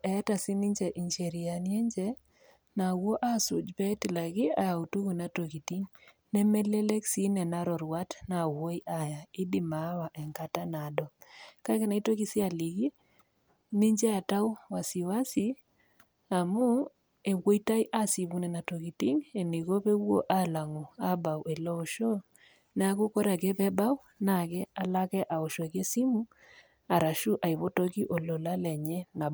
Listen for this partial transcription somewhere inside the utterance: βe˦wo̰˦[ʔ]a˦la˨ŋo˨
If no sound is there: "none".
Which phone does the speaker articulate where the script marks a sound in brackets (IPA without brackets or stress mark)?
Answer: ʔ